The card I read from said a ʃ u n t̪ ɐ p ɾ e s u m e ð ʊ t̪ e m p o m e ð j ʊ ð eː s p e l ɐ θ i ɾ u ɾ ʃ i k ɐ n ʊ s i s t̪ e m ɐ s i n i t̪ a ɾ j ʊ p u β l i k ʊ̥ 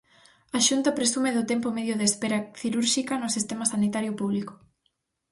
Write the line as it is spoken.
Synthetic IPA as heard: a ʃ u n t̪ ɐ p ɾ e s u m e ð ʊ t̪ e m p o m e ð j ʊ ð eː s p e ɾ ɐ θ i ɾ u ɾ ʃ i k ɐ n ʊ s i s t̪ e m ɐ s a n i t̪ a ɾ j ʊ p u β l i k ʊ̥